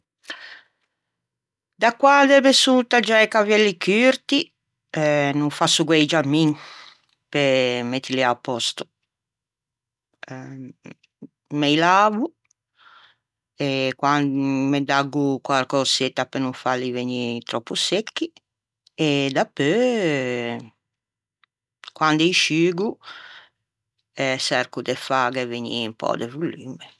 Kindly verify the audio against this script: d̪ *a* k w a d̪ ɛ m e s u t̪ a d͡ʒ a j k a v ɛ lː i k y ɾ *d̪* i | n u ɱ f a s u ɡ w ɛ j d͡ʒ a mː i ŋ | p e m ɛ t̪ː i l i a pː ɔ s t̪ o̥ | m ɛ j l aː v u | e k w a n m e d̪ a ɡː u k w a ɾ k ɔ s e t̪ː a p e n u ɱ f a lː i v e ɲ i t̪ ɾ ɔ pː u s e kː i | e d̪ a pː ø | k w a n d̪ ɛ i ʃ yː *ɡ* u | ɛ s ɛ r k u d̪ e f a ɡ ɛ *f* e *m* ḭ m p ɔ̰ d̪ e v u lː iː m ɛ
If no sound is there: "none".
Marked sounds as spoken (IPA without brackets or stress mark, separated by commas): a, t̪, ɡ, v, ɲ